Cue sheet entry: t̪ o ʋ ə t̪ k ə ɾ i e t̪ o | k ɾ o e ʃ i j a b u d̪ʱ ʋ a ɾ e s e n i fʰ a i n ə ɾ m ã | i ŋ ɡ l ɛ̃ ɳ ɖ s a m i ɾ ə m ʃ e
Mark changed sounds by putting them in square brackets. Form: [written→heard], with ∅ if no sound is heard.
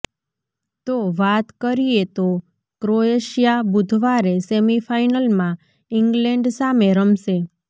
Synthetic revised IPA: t̪ o ʋ [ə→a] t̪ k ə ɾ i e t̪ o | k ɾ o e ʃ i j a b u d̪ʱ ʋ a ɾ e s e [n→m] i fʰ a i n ə [ɾ→l] m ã | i ŋ ɡ l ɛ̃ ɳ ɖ s a m [i→e] ɾ ə m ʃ e